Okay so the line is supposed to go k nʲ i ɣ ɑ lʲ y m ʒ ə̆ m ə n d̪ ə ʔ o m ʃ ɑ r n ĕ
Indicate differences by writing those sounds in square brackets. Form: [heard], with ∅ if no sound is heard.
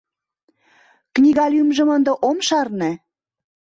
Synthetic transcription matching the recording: k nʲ i ɣ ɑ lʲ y m ʒ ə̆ m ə n d̪ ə ʔ o m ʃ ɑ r n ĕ

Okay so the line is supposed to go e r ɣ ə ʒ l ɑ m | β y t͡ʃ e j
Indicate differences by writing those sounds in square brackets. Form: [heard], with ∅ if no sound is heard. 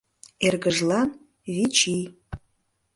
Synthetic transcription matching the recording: e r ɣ ə ʒ l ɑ [n] | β [i] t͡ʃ [i] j

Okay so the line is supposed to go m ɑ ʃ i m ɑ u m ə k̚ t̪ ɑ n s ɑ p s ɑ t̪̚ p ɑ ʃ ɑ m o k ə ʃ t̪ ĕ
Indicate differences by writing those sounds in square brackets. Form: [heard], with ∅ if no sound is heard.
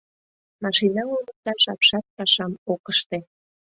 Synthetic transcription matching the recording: m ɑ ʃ i [n] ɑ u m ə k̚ t̪ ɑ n [ʃ] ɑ p [ʃ] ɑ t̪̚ p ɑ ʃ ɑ m o k ə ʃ t̪ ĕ

